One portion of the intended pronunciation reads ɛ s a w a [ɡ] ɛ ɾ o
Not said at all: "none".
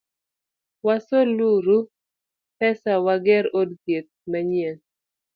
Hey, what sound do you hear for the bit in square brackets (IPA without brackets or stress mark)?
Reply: ɡ